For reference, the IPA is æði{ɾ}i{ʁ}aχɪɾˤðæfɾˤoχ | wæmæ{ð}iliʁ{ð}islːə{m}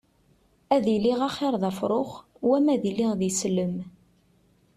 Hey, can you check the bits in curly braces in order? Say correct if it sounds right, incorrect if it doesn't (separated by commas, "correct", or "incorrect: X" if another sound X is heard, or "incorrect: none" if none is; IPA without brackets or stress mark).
incorrect: l, correct, correct, correct, correct